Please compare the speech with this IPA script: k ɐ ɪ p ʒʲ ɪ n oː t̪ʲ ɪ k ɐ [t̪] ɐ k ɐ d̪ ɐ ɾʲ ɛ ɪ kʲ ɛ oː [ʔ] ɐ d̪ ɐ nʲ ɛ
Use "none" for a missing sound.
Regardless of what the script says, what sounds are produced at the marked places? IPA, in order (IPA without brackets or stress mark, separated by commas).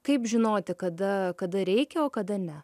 d̪, k